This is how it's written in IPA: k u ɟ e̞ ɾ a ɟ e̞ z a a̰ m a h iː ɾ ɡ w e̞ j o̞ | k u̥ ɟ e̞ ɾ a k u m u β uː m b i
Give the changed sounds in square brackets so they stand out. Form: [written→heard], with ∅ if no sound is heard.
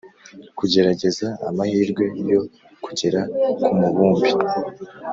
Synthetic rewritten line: k u ɟ e̞ ɾ a ɟ e̞ z a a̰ m a h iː ɾ ɡ w e̞ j o̞ | k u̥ ɟ e̞ ɾ a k u m u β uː m b i